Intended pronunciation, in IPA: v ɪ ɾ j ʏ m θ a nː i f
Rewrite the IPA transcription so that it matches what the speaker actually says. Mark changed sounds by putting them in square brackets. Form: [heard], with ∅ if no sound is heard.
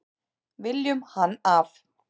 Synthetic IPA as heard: v ɪ [l] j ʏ m [h] a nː [a] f